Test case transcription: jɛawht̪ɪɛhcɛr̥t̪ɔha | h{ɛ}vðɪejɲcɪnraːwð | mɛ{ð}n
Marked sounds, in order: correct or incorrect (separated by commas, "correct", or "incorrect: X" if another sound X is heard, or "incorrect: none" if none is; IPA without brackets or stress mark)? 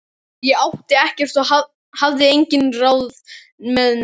incorrect: a, correct